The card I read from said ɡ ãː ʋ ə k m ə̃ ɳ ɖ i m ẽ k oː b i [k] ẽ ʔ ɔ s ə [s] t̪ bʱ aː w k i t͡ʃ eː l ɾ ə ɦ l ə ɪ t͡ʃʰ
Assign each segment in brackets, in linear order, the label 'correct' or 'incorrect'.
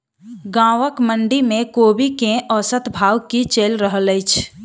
correct, incorrect

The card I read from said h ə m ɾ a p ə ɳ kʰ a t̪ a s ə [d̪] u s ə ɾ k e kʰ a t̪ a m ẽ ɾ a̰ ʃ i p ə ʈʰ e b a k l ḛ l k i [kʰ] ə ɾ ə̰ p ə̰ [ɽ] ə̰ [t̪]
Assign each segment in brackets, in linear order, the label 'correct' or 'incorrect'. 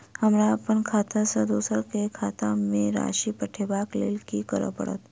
correct, incorrect, correct, correct

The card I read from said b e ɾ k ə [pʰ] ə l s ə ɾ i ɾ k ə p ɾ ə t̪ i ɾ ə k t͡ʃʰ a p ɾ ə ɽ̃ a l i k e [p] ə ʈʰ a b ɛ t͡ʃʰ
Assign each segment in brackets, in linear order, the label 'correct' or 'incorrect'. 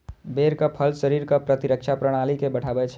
correct, incorrect

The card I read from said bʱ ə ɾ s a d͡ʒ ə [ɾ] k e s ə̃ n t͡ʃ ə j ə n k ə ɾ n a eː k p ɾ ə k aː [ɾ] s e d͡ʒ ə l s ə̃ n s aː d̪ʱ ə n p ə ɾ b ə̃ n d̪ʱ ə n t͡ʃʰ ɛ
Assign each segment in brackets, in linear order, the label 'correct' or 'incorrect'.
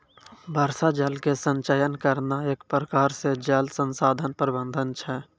incorrect, correct

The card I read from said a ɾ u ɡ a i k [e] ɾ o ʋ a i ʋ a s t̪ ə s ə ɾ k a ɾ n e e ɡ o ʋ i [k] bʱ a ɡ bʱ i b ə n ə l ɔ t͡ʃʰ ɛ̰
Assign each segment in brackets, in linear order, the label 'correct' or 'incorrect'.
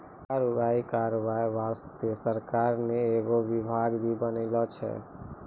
incorrect, incorrect

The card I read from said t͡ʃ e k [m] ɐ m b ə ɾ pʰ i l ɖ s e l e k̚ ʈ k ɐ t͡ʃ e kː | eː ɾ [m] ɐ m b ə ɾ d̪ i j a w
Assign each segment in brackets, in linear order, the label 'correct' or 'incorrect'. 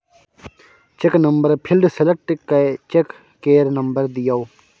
incorrect, incorrect

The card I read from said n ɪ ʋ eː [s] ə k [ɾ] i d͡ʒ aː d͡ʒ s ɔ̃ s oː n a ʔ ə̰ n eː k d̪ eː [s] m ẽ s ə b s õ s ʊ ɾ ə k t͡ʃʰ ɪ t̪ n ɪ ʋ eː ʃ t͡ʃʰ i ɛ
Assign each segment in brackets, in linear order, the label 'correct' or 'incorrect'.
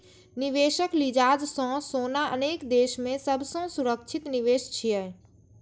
incorrect, incorrect, incorrect

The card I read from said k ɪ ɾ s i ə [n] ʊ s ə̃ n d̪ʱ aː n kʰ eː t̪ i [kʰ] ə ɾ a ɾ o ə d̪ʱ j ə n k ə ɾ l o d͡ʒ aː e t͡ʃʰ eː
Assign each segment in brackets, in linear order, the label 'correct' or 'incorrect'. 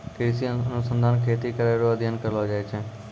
correct, incorrect

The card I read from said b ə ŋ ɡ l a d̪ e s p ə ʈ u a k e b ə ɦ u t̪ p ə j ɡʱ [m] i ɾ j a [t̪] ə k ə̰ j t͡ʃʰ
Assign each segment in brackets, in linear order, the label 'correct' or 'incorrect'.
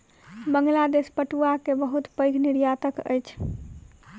incorrect, correct

